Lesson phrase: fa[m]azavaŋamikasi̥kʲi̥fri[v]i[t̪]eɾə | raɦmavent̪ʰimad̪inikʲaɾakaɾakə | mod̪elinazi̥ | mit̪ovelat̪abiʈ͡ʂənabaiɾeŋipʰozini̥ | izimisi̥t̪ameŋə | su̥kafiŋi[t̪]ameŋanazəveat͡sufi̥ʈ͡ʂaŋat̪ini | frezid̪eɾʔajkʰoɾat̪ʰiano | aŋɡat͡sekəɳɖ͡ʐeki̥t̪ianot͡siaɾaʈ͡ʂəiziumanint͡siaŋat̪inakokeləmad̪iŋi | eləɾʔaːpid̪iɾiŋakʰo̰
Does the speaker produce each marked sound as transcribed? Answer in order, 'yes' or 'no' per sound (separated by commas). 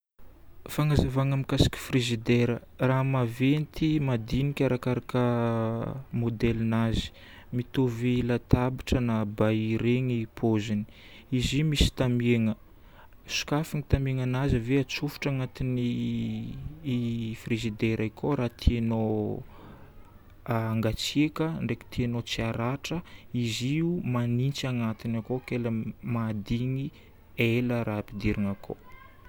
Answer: no, no, no, yes